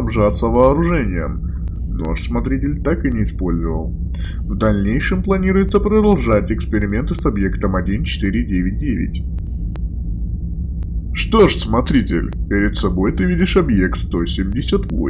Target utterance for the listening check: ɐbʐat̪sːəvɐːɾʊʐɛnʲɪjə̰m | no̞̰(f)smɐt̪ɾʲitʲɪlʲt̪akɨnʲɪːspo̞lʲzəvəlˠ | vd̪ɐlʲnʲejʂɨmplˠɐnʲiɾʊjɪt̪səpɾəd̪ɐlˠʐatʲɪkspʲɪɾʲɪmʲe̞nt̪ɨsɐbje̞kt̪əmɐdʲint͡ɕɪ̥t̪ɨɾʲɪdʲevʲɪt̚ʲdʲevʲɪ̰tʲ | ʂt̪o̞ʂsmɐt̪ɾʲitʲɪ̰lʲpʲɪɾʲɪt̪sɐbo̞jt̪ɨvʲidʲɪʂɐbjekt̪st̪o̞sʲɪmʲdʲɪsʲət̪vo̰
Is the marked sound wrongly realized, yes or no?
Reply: yes